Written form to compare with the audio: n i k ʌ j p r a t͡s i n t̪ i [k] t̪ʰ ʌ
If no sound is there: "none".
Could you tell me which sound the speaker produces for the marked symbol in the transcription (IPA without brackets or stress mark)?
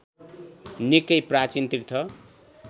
k